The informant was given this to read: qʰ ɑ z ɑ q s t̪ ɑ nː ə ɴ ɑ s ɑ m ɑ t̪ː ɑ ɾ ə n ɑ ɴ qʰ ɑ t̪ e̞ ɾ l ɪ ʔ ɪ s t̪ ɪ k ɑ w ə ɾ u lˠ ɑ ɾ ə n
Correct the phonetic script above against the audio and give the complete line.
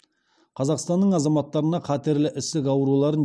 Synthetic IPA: qʰ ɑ z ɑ q s t̪ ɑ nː ə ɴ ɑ z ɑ m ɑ t̪ː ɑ ɾ ə n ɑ qʰ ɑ t̪ e̞ ɾ l ɪ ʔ ɪ s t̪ ɪ k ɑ w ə ɾ u lˠ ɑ ɾ ə n